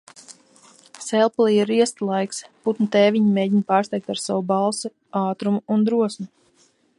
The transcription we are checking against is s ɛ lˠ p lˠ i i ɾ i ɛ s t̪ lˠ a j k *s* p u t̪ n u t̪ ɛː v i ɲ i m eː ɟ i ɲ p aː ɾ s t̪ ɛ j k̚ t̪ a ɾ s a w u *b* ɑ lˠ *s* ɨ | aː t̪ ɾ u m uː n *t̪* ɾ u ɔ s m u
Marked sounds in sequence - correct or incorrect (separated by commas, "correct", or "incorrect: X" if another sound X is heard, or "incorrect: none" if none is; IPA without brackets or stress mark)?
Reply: correct, correct, correct, incorrect: d̪